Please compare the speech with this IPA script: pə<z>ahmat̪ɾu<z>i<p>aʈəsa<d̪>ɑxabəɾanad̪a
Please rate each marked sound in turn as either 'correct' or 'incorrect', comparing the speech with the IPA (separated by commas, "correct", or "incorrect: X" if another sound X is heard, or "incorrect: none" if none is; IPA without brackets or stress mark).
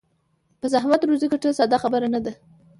correct, correct, incorrect: k, correct